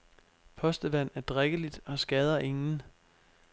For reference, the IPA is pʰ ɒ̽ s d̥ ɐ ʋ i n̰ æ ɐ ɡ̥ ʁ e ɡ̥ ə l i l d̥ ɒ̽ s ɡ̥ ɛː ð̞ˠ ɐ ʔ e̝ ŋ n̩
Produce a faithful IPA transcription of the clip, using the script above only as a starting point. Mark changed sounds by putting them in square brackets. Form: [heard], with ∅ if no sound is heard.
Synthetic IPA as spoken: pʰ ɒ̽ s d̥ [ə] ʋ [æ] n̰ æ ɐ [d̥] ʁ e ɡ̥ ə l i [∅] d̥ ɒ̽ s ɡ̥ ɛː ð̞ˠ ɐ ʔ e̝ ŋ n̩